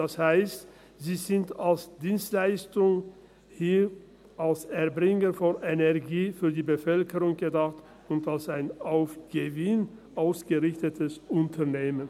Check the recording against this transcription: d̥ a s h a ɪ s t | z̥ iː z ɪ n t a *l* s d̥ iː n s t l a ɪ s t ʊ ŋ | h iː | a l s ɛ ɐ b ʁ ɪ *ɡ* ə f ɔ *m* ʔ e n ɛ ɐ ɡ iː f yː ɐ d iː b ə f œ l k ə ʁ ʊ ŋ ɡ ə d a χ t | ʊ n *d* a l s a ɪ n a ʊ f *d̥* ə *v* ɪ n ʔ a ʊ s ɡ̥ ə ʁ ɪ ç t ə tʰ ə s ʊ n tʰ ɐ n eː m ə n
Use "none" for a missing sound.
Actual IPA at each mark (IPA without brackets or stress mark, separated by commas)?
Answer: l, ŋ, n, t, ɡ̥, v